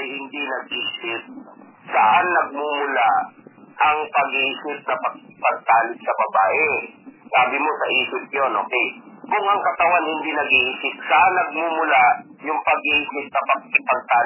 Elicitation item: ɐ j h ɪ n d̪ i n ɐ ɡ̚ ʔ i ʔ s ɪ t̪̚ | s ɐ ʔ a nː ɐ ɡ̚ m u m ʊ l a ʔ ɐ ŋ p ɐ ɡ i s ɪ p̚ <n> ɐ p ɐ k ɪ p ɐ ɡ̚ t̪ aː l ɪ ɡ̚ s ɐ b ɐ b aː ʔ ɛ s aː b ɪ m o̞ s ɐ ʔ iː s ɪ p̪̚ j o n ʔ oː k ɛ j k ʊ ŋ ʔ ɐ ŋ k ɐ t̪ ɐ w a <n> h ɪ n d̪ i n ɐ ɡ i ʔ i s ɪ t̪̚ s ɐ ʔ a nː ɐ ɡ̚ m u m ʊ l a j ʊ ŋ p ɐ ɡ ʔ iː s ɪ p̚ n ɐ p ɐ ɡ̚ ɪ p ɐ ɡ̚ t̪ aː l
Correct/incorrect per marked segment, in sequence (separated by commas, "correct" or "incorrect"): correct, correct